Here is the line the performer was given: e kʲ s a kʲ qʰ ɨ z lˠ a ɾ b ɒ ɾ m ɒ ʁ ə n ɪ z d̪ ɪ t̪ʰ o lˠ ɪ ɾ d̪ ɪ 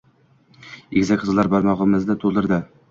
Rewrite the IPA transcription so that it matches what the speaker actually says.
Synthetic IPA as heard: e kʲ z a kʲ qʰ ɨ z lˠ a ɾ b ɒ ɾ m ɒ ʁ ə m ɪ z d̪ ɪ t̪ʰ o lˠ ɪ ɾ d̪ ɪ